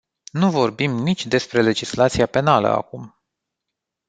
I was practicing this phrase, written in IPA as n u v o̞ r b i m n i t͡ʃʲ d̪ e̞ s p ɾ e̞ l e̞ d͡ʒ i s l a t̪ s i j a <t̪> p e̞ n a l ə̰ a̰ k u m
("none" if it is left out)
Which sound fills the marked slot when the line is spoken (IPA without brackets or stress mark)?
none